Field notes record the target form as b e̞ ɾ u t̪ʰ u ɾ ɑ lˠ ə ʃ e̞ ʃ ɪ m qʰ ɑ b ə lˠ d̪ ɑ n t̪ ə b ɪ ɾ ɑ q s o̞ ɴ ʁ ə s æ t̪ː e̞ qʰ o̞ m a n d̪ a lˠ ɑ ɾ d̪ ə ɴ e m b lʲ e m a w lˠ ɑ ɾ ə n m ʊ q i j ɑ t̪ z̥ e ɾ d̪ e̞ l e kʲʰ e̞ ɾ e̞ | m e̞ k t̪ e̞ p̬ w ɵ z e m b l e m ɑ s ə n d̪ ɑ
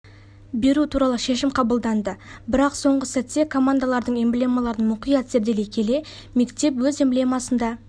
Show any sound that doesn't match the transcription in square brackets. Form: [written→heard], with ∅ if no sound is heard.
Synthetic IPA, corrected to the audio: b e̞ ɾ u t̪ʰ u ɾ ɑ lˠ ə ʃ e̞ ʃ ɪ m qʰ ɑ b ə lˠ d̪ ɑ n [t̪→d̪] ə b ɪ ɾ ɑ q s o̞ ɴ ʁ ə s æ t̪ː e̞ [qʰ→kʰ] o̞ m a n d̪ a lˠ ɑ ɾ d̪ ə ɴ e m b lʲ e m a [w→∅] lˠ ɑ ɾ ə n m ʊ q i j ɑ t̪ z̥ e ɾ d̪ e̞ l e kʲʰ e̞ [ɾ→l] e̞ | m e̞ k t̪ e̞ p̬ w ɵ z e m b l e m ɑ s ə n d̪ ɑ